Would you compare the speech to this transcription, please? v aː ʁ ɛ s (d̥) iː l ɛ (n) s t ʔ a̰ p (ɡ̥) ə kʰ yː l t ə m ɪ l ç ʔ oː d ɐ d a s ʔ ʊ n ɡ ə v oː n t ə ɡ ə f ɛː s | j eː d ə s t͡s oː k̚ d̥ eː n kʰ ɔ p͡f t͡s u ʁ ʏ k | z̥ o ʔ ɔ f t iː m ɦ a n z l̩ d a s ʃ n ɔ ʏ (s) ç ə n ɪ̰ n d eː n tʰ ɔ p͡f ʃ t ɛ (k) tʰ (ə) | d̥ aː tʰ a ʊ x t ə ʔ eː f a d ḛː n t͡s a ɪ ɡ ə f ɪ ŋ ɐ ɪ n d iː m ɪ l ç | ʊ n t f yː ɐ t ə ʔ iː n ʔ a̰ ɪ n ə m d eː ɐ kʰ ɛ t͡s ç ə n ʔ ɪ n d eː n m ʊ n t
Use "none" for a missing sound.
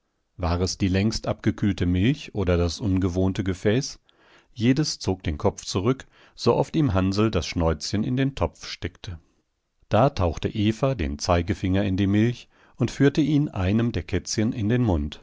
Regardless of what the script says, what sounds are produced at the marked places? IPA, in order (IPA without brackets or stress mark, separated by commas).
d̥, ŋ, ɡ̥, t͡s, k, ə